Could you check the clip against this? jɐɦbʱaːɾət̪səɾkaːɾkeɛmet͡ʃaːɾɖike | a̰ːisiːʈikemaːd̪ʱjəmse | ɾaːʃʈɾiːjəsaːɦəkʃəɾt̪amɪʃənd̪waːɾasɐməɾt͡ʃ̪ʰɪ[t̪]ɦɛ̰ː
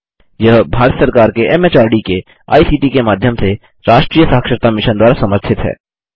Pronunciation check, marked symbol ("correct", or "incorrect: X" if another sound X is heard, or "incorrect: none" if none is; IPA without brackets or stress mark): correct